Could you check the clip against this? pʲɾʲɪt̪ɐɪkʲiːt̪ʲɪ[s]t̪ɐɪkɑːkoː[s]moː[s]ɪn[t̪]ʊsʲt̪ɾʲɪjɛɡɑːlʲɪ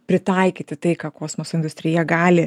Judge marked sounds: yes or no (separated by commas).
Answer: no, yes, yes, no